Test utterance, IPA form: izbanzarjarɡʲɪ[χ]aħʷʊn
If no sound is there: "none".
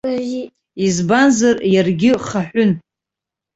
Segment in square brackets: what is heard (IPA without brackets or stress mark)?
χ